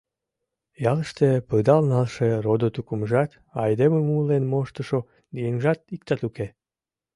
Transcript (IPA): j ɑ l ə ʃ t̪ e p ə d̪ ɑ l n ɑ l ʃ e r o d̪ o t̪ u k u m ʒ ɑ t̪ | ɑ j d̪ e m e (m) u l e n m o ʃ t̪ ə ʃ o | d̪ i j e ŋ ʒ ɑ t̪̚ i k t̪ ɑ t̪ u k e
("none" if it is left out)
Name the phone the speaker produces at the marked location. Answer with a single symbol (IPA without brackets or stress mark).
m